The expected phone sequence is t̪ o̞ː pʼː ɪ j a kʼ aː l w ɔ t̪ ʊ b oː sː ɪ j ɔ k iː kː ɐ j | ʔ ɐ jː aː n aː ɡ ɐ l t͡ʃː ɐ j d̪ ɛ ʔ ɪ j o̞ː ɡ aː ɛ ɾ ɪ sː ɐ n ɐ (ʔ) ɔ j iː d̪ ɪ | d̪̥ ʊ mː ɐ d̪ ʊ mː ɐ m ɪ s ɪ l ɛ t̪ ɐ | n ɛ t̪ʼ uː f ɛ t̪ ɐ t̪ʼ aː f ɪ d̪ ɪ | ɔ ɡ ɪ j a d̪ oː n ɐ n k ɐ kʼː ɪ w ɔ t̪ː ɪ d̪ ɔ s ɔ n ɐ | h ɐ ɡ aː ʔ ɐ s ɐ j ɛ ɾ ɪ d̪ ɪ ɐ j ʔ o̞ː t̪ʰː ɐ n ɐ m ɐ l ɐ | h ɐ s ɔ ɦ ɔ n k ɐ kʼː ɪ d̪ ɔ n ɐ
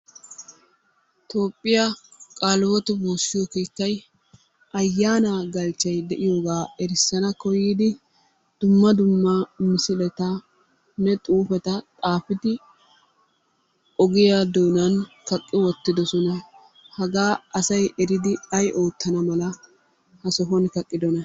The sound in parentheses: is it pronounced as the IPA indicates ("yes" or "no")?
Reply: no